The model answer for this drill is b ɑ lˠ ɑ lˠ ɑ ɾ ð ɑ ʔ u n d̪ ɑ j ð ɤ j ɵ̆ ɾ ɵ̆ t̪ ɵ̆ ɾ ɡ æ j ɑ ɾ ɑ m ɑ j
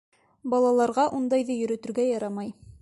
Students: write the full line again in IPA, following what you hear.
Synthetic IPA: b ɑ lˠ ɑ lˠ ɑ ɾ ʁ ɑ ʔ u n d̪ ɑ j ð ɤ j ɵ̆ ɾ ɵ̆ t̪ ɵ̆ ɾ ɡ æ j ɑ ɾ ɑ m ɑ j